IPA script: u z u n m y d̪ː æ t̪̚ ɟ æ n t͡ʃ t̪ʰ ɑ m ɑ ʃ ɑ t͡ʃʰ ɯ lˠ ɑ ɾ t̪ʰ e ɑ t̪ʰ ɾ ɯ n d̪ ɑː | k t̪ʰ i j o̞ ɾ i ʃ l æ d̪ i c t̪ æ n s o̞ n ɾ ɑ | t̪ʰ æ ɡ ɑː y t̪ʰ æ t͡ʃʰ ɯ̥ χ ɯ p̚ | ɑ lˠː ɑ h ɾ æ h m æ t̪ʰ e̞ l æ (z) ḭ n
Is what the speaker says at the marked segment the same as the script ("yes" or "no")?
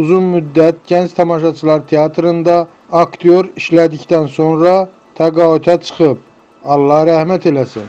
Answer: no